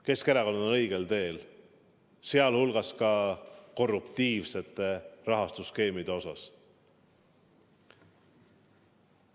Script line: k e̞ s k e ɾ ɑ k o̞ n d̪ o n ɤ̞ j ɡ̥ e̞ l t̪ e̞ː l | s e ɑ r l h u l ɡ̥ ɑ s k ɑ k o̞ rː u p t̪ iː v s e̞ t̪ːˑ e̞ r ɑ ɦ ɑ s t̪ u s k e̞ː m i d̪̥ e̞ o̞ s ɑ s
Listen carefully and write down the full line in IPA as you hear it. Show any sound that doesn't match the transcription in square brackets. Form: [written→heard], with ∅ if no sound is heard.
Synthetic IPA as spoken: k e̞ s k e ɾ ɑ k o̞ n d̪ o n ɤ̞ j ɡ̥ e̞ l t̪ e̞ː l | s e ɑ [r→∅] l h u l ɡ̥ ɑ s k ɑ k o̞ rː u p t̪ iː v s e̞ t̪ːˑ e̞ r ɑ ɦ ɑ s t̪ u s k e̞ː m i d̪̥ e̞ o̞ s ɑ s